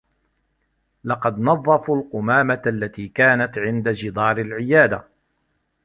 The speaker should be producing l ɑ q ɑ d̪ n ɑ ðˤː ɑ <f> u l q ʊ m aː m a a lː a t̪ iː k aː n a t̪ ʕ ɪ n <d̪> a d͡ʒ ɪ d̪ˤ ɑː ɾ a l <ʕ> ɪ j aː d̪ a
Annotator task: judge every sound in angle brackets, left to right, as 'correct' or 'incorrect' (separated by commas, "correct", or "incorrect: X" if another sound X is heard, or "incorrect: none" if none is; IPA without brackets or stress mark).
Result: correct, correct, correct